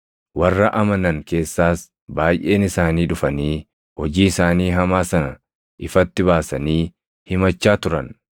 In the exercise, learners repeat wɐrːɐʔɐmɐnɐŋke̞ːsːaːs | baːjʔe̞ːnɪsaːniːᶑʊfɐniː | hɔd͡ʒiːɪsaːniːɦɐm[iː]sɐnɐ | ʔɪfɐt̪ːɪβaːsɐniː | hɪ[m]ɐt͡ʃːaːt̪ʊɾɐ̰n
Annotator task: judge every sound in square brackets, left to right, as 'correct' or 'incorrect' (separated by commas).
incorrect, correct